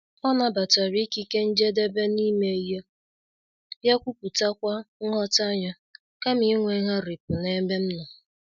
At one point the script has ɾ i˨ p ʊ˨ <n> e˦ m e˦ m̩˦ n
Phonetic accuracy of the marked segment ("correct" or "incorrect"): correct